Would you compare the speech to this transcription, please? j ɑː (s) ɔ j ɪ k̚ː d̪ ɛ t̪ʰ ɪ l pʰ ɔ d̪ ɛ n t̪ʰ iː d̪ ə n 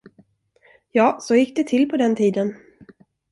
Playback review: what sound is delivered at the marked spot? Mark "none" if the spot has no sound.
s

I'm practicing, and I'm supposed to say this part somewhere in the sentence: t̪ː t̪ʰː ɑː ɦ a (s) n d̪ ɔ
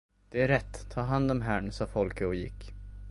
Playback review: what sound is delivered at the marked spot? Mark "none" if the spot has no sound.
none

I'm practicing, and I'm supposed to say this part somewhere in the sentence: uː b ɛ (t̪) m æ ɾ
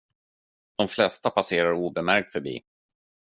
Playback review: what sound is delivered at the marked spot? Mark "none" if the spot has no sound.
none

